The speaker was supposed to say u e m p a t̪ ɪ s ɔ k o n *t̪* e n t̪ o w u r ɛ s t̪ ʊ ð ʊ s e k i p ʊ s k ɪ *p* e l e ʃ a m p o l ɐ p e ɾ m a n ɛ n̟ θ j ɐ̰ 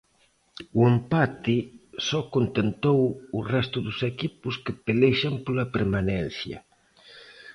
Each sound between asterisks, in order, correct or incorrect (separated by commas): correct, correct